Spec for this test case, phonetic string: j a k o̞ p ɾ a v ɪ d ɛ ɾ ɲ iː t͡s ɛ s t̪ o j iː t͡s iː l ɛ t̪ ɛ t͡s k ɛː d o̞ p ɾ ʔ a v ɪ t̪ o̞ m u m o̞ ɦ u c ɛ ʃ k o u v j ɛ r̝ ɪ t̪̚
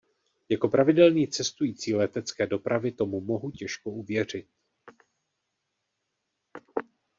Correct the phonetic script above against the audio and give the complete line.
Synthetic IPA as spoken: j a k o̞ p ɾ a v ɪ d ɛ l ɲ iː t͡s ɛ s t̪ u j iː t͡s iː l ɛ t̪ ɛ t͡s k ɛː d o̞ p ɾ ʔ a v ɪ t̪ o̞ m u m o̞ ɦ u c ɛ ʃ k o u v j ɛ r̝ ɪ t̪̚